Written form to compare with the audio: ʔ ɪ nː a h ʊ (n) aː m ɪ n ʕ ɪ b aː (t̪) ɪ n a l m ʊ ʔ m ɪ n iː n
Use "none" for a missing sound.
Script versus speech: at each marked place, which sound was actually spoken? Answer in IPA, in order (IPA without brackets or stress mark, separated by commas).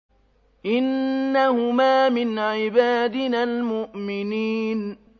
m, d̪